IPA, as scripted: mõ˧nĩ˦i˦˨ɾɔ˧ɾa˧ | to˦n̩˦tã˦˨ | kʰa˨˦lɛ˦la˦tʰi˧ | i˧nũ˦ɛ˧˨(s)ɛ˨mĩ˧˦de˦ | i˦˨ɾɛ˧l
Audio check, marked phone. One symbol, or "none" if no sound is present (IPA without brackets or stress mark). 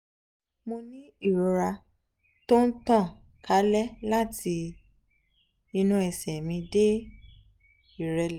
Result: s